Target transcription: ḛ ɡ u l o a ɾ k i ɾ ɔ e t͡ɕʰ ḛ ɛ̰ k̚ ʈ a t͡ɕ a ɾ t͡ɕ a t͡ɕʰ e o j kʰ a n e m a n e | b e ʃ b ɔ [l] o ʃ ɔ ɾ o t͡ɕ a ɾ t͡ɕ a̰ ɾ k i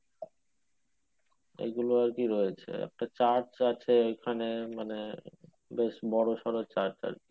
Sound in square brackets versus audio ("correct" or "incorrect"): incorrect